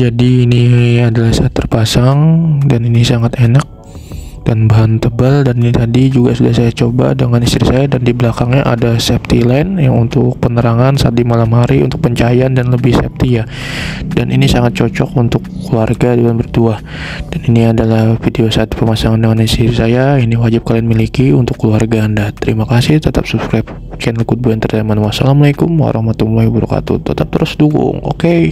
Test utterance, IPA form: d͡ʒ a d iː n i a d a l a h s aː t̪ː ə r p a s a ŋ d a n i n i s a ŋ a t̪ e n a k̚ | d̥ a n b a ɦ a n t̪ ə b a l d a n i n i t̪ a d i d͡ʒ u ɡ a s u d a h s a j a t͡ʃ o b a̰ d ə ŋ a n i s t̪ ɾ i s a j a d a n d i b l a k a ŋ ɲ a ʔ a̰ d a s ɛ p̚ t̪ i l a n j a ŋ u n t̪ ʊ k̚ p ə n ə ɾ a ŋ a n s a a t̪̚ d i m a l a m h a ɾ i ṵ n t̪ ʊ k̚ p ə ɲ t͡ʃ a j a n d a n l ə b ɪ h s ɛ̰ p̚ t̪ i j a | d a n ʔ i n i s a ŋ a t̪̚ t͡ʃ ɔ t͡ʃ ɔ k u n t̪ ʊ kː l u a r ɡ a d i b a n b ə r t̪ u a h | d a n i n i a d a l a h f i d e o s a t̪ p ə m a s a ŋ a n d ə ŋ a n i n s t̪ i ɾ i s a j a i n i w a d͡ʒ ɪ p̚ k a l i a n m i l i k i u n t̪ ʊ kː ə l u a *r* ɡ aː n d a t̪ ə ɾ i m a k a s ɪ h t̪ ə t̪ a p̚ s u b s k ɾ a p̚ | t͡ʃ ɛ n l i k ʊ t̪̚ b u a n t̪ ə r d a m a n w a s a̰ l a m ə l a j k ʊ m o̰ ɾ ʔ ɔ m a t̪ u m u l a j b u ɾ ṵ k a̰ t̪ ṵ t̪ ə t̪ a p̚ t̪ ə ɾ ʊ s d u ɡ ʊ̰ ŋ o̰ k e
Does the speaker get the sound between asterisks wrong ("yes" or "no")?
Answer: no